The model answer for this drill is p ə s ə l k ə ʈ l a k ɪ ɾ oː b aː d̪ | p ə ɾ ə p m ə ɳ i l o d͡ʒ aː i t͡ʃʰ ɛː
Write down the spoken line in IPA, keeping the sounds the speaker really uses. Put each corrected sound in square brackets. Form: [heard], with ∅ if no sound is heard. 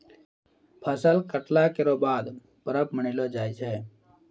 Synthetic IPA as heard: [pʰ] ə s ə l k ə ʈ l a k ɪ ɾ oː b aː d̪ | p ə ɾ ə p m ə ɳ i l o d͡ʒ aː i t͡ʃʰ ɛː